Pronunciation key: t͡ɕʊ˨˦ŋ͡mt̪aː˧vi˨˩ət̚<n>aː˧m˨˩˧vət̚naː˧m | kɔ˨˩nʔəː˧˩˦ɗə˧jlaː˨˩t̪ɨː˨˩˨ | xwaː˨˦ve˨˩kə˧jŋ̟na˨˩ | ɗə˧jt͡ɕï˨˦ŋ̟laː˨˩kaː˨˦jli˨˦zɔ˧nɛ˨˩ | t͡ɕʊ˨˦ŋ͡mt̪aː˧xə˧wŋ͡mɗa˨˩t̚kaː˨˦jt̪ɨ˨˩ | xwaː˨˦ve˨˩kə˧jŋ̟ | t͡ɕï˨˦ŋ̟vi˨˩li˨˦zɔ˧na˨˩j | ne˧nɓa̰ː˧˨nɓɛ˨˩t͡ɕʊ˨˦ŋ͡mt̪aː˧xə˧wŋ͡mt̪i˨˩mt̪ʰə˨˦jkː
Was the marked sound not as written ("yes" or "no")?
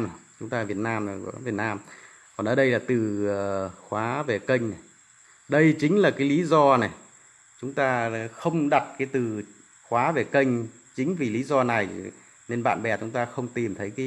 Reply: no